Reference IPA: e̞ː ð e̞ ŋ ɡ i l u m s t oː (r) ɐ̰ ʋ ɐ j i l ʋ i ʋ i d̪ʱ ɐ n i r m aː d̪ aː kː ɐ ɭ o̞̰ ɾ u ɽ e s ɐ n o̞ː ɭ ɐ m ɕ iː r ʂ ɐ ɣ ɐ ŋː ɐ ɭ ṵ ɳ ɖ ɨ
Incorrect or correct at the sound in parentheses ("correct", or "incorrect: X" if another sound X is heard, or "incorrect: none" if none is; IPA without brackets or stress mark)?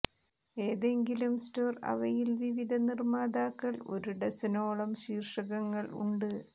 correct